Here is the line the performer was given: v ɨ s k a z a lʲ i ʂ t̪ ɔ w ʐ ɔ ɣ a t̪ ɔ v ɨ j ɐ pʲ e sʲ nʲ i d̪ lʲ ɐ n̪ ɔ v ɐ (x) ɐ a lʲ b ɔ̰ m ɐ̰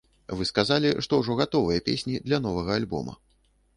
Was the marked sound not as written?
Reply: yes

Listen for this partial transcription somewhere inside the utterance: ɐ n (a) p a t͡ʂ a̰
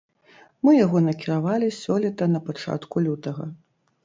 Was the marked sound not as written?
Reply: yes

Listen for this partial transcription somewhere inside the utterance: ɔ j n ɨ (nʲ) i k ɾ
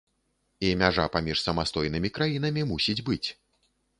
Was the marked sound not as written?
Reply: yes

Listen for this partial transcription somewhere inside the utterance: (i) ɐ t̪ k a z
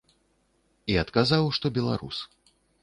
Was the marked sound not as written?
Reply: no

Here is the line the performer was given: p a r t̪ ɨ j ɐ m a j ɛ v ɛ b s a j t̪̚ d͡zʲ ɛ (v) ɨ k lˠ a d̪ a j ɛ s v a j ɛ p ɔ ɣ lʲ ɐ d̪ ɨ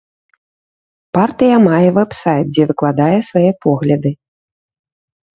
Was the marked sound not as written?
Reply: no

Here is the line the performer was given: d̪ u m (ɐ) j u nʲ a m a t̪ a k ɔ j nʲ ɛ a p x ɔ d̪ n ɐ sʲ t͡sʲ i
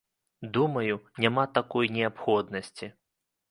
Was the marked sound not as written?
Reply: no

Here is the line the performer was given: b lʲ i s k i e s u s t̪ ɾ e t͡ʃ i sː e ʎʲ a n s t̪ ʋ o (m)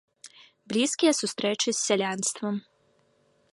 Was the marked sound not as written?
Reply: no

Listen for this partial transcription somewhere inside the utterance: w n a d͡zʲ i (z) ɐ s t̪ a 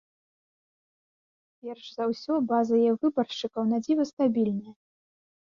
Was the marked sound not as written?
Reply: yes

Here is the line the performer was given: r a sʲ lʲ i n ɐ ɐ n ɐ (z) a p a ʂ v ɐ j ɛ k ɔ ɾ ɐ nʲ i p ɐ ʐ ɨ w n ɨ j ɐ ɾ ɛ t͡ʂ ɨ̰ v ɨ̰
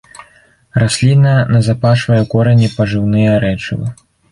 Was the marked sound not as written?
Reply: no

